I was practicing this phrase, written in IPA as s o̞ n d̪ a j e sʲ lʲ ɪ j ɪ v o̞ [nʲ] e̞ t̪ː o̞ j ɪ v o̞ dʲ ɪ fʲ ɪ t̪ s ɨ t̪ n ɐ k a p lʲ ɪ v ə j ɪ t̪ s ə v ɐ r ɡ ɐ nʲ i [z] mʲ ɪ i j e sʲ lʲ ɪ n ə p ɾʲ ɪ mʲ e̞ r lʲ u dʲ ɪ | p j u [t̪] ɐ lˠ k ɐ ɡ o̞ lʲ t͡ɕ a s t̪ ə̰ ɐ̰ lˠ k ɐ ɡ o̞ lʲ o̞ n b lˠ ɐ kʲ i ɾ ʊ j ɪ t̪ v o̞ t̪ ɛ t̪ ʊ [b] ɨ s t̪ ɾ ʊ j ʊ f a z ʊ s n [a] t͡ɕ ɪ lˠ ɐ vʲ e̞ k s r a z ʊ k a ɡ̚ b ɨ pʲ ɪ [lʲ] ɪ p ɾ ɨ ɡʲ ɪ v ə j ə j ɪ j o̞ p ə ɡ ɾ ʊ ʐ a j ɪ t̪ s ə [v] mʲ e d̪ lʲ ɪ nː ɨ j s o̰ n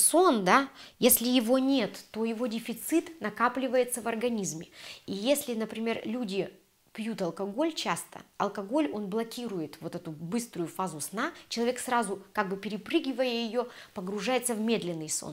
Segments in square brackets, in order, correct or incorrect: correct, correct, correct, correct, correct, incorrect: ɾʲ, correct

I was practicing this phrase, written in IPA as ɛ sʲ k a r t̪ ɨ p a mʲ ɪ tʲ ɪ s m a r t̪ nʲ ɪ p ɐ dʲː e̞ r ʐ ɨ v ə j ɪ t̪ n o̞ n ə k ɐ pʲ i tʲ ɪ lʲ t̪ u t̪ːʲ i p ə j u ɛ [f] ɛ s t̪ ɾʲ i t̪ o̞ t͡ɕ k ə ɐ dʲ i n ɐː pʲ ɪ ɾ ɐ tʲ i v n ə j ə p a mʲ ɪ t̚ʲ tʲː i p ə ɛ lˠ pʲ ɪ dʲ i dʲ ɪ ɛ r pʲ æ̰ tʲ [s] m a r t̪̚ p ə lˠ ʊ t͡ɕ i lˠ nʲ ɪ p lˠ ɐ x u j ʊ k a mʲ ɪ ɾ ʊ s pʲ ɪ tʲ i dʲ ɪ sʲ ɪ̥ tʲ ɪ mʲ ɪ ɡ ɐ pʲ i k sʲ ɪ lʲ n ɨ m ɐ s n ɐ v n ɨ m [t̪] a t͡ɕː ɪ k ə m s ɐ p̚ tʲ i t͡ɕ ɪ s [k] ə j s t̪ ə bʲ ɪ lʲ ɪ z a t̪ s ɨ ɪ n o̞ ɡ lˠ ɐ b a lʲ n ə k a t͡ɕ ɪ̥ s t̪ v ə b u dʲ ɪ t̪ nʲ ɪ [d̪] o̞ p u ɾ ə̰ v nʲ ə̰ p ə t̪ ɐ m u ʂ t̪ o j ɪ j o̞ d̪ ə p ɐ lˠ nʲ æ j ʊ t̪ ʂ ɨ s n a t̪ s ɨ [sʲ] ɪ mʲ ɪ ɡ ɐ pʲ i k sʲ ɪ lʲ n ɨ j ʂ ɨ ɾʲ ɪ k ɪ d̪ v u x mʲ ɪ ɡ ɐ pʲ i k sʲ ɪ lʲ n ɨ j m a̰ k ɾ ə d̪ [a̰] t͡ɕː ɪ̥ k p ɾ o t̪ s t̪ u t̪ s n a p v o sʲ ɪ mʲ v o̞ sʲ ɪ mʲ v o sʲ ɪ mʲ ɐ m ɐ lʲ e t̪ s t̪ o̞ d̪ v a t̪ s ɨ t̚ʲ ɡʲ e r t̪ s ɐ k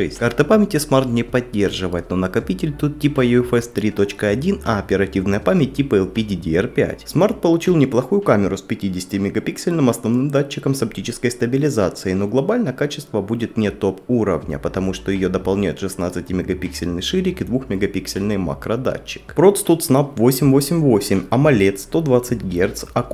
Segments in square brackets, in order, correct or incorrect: correct, correct, incorrect: d̪, correct, incorrect: t̪, incorrect: tʲ, correct

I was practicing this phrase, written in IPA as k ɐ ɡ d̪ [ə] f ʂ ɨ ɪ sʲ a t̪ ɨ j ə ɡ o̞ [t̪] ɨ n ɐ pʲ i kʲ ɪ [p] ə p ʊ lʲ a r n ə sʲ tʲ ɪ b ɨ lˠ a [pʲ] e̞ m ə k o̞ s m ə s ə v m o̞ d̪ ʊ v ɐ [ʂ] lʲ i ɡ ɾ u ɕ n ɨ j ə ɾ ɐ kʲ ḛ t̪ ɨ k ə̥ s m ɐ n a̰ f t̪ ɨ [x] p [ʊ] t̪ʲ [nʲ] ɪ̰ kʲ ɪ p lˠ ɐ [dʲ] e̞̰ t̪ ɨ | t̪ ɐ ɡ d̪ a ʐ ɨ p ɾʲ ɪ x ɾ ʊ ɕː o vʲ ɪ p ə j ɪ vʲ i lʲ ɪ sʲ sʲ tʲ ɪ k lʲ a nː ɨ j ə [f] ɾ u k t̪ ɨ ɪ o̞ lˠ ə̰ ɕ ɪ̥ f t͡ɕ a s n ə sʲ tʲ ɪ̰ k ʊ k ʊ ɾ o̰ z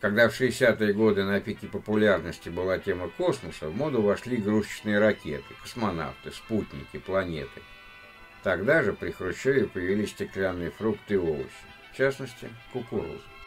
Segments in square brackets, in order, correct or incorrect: incorrect: a, incorrect: d̪, correct, incorrect: tʲ, correct, incorrect: s, incorrect: u, correct, incorrect: nʲ, correct

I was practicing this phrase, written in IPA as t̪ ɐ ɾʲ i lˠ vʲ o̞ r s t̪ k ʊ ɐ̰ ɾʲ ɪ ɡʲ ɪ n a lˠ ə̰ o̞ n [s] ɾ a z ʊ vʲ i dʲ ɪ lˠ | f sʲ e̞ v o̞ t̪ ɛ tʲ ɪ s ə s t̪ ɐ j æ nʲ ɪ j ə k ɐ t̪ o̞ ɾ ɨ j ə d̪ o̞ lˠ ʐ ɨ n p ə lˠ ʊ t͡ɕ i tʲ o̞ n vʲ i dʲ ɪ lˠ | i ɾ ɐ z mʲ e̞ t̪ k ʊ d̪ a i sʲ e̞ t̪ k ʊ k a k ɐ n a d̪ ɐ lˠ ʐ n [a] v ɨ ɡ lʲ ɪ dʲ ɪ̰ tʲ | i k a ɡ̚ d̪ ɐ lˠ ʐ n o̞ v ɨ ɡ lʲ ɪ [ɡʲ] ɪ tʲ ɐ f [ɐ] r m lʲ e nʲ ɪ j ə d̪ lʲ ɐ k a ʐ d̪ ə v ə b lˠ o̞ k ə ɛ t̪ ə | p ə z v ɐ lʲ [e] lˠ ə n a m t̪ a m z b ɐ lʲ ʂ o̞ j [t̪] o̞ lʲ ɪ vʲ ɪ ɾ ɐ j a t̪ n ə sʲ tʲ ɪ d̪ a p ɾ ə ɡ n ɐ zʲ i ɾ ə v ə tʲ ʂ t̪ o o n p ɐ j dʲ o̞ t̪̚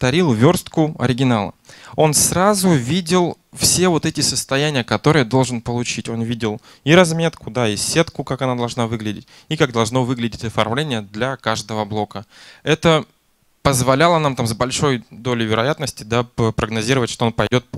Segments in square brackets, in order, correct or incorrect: correct, correct, incorrect: dʲ, correct, incorrect: a, incorrect: d̪

